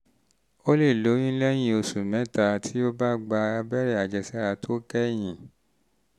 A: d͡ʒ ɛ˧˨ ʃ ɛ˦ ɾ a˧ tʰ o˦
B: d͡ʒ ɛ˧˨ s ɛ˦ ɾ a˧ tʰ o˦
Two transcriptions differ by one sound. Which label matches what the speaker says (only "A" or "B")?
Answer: B